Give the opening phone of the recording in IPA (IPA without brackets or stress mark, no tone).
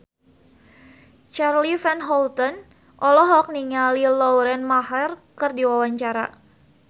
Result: t͡ʃ